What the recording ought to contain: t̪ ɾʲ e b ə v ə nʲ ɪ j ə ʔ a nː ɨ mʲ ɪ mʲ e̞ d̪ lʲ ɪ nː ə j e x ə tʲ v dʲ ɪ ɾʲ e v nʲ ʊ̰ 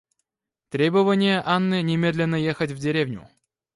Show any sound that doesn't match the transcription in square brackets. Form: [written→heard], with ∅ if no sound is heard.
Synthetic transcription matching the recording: t̪ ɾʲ e b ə v ə nʲ ɪ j ə ʔ a nː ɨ [mʲ→nʲ] ɪ mʲ e̞ d̪ lʲ ɪ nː ə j e x ə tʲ v dʲ ɪ ɾʲ e v nʲ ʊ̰